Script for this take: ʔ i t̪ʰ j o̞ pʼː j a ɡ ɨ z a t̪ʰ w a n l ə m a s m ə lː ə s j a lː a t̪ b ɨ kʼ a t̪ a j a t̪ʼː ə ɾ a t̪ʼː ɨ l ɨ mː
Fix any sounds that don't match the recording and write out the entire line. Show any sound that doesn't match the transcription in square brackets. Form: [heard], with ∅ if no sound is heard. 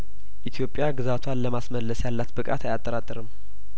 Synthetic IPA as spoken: ʔ i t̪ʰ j o̞ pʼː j a ɡ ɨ z a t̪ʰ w a n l ə m a s m ə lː ə s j a lː a t̪ b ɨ kʼ a t̪ a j a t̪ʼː ə ɾ a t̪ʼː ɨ [ɾ] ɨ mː